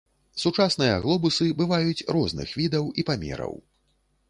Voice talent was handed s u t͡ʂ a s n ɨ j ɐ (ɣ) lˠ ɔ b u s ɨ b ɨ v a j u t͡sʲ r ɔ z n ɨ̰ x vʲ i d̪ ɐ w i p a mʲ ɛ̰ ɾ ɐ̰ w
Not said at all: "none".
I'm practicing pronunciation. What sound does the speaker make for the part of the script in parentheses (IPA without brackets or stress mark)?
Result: ɣ